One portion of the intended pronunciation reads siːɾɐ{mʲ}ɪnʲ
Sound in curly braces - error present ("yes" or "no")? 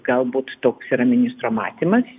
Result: no